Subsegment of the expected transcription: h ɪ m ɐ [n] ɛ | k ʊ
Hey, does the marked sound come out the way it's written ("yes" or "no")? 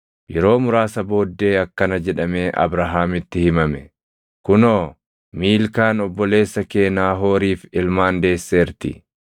no